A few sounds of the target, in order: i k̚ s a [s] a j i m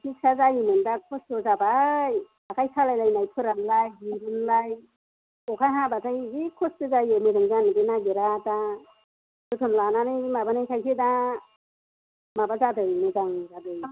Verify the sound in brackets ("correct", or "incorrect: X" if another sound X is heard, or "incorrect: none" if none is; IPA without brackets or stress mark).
incorrect: z